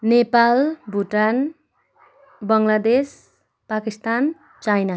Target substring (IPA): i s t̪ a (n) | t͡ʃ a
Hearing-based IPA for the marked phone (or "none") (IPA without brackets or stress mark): n